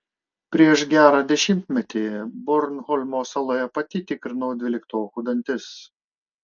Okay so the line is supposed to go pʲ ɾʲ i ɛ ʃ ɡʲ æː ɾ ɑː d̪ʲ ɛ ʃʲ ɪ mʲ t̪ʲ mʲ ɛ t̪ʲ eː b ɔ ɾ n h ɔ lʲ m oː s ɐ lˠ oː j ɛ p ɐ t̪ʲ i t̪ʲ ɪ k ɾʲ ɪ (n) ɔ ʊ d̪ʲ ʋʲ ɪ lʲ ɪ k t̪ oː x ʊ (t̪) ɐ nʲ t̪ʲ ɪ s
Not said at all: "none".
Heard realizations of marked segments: n, d̪

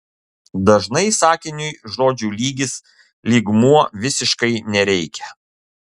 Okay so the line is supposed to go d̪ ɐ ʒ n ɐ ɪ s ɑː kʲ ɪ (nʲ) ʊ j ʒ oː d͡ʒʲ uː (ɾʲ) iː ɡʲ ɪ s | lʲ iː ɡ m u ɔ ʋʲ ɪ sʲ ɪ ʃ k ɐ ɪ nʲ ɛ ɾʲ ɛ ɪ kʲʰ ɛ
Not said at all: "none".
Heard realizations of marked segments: nʲ, lʲ

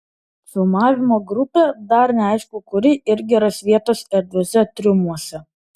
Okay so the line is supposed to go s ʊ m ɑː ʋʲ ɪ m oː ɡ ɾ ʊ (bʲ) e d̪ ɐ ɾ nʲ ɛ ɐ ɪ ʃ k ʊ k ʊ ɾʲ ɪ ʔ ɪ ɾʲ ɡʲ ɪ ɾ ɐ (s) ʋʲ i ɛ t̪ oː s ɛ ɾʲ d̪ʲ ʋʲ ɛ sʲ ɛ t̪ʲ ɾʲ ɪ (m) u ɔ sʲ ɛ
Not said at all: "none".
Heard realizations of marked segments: pʲ, s, m

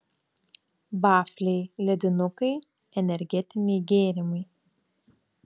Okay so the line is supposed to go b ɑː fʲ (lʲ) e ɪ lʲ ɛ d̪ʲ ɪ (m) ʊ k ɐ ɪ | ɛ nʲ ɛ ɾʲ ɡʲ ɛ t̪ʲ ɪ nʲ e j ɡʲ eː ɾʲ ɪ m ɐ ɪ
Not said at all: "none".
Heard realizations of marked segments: lʲ, n

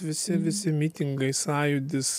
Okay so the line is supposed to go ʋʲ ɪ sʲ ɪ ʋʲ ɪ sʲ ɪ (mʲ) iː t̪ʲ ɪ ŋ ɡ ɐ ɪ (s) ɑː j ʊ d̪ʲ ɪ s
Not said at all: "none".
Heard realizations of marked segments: mʲ, s

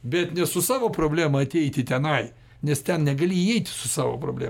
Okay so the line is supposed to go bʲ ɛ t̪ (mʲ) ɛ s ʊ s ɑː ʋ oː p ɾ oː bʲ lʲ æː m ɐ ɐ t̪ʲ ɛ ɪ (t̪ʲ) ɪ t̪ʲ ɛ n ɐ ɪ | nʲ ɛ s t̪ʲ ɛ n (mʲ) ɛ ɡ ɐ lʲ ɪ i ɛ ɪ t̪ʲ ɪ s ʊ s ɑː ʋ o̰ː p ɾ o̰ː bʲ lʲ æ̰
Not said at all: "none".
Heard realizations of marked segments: nʲ, t̪ʲ, nʲ

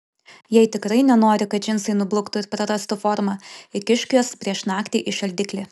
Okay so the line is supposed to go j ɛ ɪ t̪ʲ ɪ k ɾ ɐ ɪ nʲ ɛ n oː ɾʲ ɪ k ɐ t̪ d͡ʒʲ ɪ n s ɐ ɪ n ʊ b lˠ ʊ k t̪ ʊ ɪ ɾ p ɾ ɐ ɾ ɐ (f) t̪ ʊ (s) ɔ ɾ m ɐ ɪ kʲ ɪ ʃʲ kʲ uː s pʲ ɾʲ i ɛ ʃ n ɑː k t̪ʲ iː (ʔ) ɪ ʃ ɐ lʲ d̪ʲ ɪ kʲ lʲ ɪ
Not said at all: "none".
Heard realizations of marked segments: s, f, ʔ

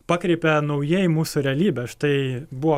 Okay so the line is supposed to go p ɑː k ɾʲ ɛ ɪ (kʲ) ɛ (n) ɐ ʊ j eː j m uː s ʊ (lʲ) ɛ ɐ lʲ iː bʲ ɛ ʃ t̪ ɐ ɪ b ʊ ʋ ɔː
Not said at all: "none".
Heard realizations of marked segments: pʲ, n, ɾʲ

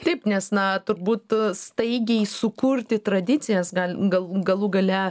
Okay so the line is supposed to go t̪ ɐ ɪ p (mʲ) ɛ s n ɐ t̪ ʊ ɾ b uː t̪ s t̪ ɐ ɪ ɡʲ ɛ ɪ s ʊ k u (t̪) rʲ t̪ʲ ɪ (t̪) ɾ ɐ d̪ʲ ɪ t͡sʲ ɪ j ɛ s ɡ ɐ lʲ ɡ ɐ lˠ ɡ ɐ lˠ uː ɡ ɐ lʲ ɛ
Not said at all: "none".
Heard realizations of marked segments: nʲ, none, t̪

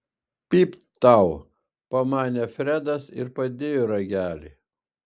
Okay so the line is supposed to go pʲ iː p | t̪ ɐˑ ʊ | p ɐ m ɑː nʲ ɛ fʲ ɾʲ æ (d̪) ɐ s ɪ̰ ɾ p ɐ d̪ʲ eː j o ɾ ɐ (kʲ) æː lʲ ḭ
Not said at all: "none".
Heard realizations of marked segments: d̪, ɡʲ

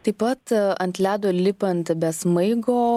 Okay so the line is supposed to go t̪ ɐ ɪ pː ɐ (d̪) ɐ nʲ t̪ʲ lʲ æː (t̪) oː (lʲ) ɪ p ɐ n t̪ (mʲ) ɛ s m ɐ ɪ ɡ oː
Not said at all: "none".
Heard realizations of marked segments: t̪, d̪, lʲ, bʲ

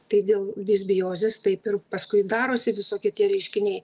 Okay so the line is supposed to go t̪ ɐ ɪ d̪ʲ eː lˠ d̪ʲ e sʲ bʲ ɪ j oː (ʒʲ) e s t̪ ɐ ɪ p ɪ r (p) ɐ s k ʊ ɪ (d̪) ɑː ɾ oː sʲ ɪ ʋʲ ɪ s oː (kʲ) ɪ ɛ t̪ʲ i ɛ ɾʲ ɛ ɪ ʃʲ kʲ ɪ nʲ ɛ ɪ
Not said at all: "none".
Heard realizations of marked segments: zʲ, p, d̪, kʲ

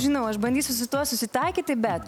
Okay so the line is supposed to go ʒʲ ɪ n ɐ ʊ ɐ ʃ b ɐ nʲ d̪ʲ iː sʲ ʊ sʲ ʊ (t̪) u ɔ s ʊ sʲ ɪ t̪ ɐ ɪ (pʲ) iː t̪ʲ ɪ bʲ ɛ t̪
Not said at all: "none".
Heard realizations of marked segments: t̪, kʲ

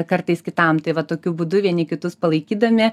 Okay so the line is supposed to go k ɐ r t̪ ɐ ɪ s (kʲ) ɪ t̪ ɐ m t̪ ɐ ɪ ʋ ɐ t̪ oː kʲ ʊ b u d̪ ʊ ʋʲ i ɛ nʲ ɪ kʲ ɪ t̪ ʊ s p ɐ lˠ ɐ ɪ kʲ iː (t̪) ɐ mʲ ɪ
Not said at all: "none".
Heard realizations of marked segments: kʲ, d̪

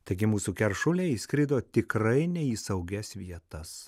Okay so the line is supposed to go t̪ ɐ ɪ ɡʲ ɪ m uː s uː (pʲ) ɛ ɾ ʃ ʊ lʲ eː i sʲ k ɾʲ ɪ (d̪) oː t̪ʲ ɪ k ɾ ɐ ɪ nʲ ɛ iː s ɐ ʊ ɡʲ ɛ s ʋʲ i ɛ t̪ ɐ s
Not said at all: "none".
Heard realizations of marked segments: kʲ, d̪

